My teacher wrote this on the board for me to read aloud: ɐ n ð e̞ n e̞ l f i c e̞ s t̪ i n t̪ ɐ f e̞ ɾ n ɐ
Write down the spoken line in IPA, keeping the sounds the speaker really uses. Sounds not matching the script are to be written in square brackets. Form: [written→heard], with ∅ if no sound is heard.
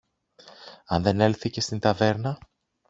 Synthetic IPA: ɐ n ð e̞ n e̞ l [f→θ] i c e̞ s t̪ i n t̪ ɐ [f→v] e̞ ɾ n ɐ